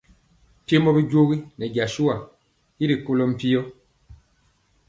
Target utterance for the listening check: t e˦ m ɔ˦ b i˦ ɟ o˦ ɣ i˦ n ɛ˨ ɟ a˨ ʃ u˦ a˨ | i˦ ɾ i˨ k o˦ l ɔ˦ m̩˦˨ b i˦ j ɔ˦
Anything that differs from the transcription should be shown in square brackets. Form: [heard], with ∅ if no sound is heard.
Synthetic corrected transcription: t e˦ m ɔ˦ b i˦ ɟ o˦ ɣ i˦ n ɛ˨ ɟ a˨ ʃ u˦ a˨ | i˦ ɾ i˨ k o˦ l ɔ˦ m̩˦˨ [p] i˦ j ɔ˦